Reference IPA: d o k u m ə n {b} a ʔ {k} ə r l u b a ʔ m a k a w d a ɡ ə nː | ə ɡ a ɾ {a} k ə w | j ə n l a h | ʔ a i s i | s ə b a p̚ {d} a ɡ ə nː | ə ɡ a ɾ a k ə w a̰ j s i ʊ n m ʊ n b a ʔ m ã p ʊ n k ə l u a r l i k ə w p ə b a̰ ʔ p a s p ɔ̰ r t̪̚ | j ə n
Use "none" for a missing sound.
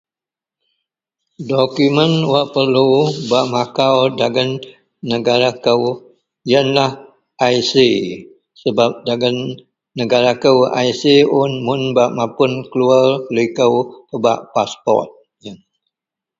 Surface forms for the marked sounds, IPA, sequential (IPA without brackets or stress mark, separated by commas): w, p, a, d